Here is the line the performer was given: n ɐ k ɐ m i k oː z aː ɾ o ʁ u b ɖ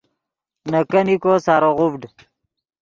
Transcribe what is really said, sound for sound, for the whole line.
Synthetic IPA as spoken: n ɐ k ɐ n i k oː s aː ɾ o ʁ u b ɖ